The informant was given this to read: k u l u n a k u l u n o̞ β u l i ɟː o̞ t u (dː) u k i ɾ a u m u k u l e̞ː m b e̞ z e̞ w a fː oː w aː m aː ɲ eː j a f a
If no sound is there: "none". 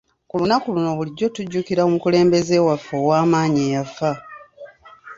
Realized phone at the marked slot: ɟː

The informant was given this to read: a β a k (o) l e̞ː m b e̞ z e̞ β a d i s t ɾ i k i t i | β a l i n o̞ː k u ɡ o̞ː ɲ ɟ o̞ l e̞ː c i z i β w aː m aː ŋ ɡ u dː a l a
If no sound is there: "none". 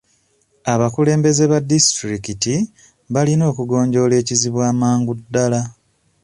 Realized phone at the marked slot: u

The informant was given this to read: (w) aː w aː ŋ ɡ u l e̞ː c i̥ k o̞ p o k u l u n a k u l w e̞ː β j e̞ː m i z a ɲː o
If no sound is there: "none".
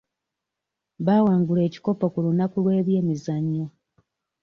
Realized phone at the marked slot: β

